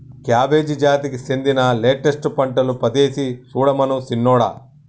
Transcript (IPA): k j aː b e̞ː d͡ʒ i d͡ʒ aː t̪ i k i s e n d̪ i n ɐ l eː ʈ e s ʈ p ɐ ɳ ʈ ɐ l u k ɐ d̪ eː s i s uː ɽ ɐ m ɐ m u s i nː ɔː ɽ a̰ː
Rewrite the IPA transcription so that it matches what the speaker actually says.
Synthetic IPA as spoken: k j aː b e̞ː d͡ʒ i d͡ʒ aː t̪ i k i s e n d̪ i n ɐ l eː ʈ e s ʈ p ɐ ɳ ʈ ɐ l u p ɐ d̪ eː s i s uː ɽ ɐ m ɐ n u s i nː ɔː ɽ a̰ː